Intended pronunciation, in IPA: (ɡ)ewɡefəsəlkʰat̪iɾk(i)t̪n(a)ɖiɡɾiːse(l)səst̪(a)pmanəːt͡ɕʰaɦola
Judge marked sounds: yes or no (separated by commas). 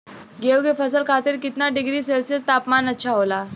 yes, yes, yes, yes, yes